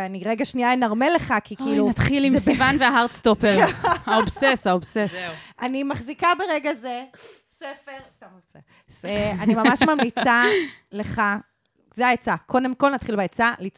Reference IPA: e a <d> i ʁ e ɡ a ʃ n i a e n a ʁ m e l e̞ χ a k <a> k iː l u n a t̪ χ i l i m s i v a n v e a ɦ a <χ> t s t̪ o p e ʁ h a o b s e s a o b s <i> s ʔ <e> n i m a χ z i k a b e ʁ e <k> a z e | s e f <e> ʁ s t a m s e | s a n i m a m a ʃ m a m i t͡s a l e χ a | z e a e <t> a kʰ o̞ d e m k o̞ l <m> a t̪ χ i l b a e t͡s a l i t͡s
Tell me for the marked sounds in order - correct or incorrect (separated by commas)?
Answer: incorrect, incorrect, incorrect, incorrect, incorrect, incorrect, correct, incorrect, incorrect